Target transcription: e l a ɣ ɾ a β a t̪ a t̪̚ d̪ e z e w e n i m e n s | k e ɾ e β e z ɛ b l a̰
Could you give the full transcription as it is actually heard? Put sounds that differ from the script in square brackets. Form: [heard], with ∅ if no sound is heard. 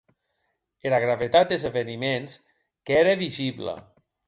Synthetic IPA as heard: e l a ɣ ɾ a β [e] t̪ a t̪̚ d̪ e z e [β] e n i m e n s | k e ɾ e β [i] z [i] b l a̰

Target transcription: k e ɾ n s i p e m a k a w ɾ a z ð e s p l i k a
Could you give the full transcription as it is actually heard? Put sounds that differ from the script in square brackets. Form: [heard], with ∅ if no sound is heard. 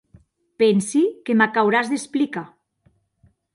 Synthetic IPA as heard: [p] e [∅] n s i [k] e m a k a w ɾ a z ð e s p l i k a

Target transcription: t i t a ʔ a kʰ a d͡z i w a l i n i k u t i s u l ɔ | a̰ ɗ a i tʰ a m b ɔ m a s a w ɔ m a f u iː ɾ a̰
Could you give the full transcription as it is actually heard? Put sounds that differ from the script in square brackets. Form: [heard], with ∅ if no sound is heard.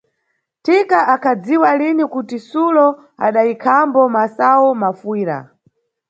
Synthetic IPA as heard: t i [k] a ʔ a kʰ a d͡z i w a l i n i k u t i s u l ɔ | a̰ ɗ a i [kʰ] a m b ɔ m a s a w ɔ m a f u iː ɾ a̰

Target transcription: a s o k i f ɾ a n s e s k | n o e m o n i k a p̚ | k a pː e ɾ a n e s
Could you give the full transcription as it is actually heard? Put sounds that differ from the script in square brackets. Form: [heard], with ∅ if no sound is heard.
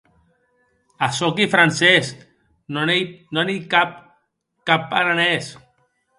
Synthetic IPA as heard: a s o k i f ɾ a n s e s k | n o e [n] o n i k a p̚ | k a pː [a] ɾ a n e s

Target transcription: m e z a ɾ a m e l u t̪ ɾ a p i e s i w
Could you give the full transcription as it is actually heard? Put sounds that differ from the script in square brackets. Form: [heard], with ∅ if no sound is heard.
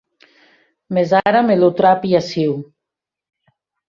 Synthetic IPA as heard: m e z a ɾ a m e l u t̪ ɾ a p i [a] s i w

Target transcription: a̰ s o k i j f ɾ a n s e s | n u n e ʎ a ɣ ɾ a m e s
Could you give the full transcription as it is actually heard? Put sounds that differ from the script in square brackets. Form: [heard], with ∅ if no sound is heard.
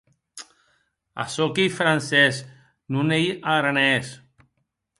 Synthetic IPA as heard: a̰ s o k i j f ɾ a n s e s | n u n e [j] a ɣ ɾ a [n] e s

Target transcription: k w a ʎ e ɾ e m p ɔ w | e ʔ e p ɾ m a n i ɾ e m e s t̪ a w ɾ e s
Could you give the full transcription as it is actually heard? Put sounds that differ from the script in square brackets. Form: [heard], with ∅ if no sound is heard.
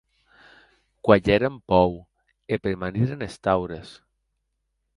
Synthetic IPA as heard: k w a ʎ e ɾ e m p ɔ w | e [p] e [∅] ɾ m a n i ɾ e [n] e s t̪ a w ɾ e s

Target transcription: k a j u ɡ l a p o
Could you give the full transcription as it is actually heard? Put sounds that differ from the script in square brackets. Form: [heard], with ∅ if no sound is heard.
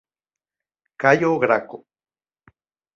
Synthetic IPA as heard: k a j [o] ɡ [ɾ] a [k] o

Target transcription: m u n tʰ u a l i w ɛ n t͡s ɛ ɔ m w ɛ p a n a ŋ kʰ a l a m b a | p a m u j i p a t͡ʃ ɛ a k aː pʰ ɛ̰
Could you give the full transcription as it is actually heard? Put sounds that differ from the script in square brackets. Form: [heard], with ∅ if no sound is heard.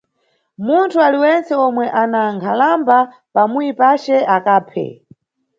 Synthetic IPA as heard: m u n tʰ u a l i w ɛ n t͡s ɛ ɔ m w ɛ [ʔ] a n a ŋ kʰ a l a m b a | p a m u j i p a t͡ʃ ɛ a k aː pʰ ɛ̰

